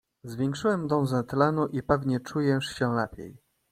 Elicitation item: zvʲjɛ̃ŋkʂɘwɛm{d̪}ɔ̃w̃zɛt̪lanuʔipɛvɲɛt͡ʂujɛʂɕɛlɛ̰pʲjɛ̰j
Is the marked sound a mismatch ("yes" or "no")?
no